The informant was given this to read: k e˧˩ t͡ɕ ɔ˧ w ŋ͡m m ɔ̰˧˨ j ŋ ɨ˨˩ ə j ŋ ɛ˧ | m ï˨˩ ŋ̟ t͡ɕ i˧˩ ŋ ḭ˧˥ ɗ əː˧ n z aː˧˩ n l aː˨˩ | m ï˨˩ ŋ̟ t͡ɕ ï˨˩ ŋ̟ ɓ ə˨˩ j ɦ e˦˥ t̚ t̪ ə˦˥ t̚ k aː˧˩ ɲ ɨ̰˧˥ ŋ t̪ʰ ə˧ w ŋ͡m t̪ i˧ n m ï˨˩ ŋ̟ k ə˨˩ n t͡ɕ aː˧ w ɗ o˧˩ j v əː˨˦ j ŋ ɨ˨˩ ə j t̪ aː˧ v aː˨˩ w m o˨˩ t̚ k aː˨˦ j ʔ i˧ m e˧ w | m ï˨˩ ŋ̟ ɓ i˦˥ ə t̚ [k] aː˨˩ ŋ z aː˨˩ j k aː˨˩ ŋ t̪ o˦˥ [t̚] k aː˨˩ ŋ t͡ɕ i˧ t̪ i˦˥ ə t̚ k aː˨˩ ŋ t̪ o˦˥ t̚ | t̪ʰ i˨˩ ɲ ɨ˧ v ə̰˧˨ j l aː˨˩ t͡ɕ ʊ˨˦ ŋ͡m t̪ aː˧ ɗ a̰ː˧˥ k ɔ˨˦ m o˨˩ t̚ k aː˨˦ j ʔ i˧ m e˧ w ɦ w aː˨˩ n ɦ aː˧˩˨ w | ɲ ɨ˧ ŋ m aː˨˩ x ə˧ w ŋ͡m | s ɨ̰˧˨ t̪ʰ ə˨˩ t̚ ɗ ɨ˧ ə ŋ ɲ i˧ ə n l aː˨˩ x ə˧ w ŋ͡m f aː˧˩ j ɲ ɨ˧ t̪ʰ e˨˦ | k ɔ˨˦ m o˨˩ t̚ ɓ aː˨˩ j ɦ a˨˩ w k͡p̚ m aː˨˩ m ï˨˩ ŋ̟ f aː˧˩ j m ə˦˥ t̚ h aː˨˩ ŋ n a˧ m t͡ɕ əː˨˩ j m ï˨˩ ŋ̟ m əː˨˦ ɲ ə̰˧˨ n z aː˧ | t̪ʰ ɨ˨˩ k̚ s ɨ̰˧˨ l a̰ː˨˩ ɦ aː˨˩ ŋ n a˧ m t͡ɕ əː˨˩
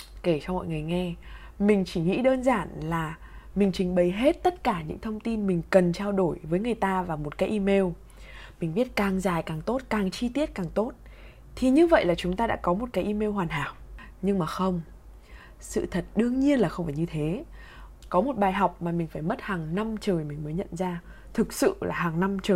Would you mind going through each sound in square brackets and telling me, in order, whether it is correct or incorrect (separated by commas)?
correct, correct